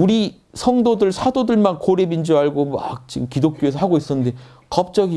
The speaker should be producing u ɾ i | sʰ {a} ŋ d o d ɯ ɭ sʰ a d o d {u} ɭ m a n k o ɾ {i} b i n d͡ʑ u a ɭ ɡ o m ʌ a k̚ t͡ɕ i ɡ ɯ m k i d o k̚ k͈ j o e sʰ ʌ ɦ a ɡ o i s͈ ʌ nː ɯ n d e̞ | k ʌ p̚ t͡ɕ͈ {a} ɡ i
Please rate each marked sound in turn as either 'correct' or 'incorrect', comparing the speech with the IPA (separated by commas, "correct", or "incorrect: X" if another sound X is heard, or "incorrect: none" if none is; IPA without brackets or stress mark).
incorrect: ʌ, incorrect: ɯ, incorrect: e, incorrect: ʌ